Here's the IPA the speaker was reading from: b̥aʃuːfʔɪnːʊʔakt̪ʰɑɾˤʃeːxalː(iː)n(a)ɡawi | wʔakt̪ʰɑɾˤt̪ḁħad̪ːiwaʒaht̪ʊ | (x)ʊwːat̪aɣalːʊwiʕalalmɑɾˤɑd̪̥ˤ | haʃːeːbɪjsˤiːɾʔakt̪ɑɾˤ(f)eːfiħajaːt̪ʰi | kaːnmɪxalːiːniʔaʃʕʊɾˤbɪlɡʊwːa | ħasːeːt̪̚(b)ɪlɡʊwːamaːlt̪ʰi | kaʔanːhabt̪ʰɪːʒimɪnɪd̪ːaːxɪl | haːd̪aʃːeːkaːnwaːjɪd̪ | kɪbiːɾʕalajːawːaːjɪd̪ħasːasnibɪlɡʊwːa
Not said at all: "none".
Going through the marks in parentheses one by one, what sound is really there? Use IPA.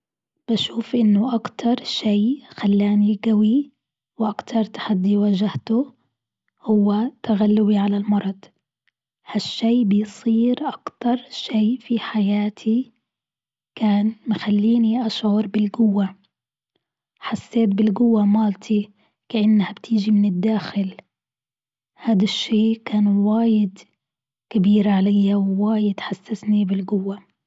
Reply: aː, i, h, ʃ, b

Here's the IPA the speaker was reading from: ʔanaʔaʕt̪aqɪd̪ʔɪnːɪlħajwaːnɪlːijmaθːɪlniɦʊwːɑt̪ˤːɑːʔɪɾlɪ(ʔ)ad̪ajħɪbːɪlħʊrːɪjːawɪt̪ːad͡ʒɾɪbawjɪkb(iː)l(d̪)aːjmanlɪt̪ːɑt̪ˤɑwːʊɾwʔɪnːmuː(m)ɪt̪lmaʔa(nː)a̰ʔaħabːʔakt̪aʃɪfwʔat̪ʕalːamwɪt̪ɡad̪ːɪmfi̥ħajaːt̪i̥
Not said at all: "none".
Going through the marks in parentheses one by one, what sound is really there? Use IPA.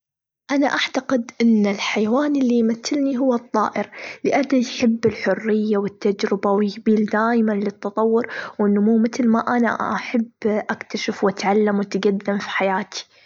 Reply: ʔ, iː, d̪, m, n

